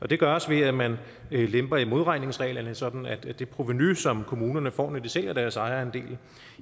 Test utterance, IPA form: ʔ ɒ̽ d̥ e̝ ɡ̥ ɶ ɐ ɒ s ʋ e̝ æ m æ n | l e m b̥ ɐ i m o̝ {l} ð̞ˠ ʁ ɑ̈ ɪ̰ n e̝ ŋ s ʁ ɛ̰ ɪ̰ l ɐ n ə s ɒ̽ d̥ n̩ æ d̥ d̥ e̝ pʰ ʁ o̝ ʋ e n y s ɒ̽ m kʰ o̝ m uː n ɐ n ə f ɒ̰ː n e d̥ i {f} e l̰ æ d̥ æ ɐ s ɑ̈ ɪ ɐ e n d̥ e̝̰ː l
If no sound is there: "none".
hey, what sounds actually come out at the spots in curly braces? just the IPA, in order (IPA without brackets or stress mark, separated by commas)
none, s